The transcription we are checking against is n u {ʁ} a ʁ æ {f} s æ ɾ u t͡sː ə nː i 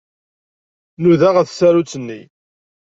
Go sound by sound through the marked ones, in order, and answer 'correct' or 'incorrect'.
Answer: incorrect, incorrect

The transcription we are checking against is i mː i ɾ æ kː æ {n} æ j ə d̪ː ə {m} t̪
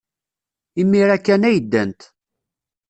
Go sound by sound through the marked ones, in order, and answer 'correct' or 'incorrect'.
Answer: correct, incorrect

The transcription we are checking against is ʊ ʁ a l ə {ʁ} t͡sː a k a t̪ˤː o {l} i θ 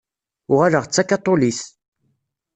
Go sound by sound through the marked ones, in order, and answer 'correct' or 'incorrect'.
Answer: correct, correct

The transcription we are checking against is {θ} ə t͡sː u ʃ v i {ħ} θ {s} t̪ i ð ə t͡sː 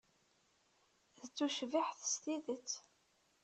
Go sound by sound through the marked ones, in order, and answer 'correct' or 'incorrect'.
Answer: incorrect, correct, correct

